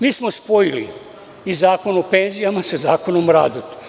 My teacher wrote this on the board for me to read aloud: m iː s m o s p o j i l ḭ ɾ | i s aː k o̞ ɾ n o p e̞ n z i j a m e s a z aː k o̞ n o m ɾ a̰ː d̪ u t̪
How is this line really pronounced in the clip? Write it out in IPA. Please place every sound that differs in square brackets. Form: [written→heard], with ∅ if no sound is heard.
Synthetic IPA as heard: m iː s m o s p o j i l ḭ [ɾ→∅] | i [s→z] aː k o̞ [ɾ→∅] n o p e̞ n z i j a m [e→a] s a z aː k o̞ n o m ɾ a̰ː d̪ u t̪